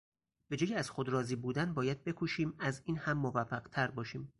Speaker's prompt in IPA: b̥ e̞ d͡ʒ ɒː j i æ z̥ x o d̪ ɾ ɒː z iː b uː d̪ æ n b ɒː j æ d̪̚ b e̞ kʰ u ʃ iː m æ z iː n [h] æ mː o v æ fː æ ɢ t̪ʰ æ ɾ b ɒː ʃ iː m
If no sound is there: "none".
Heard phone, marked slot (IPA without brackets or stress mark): h